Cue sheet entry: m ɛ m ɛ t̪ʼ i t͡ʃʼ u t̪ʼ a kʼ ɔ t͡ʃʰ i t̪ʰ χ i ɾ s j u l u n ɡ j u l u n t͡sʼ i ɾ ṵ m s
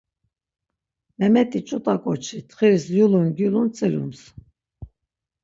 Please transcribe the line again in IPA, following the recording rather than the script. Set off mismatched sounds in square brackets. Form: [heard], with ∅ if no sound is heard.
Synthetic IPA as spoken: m ɛ m ɛ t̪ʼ i t͡ʃʼ u t̪ʼ a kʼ ɔ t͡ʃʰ i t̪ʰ χ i ɾ s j u l u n ɡ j u l u n t͡sʼ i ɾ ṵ m s